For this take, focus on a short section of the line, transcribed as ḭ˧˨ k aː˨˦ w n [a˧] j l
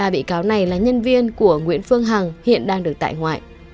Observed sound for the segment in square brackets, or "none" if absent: a˨˩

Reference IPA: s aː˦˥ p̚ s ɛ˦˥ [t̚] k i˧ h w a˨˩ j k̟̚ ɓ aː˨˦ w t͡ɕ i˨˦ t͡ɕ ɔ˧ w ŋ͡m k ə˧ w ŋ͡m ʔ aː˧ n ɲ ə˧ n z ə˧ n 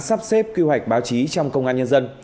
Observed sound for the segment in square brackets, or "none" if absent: p̚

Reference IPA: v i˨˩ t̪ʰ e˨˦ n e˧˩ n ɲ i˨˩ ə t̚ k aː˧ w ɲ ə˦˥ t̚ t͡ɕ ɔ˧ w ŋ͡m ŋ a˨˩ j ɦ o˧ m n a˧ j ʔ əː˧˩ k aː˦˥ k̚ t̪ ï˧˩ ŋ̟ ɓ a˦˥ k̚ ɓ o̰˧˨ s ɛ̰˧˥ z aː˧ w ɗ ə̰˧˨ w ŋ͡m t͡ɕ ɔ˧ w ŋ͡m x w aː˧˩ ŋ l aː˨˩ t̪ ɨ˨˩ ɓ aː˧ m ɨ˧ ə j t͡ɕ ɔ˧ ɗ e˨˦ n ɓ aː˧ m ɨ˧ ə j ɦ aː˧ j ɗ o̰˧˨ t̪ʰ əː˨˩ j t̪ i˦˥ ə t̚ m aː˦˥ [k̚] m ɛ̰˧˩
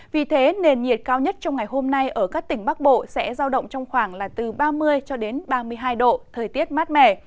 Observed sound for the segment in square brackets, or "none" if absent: t̚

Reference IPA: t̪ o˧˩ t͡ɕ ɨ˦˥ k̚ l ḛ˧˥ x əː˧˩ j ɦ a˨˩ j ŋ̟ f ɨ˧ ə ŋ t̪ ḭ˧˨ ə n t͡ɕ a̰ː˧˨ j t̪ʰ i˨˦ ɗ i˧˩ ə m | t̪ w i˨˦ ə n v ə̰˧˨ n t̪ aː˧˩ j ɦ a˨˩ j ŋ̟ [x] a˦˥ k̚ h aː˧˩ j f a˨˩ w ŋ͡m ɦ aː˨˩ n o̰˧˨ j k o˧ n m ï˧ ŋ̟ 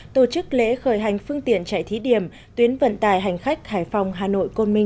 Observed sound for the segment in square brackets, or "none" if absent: x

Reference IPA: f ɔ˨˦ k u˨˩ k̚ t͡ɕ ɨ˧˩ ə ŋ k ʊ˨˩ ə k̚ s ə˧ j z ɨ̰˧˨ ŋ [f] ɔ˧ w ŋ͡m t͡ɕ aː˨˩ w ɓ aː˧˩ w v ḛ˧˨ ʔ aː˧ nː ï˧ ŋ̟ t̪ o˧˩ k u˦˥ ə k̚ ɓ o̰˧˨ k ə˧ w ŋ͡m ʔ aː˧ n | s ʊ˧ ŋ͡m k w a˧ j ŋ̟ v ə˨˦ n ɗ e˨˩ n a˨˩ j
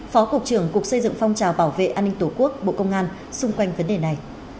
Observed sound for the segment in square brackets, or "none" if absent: f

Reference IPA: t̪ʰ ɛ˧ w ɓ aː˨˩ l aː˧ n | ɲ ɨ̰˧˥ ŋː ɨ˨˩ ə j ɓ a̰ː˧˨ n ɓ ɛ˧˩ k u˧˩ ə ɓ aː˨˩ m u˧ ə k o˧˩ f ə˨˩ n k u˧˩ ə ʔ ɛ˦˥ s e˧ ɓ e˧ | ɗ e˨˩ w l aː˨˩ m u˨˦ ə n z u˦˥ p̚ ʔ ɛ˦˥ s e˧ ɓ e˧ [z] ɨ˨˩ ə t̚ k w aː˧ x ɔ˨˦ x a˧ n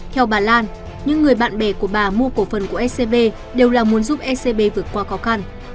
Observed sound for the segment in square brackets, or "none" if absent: v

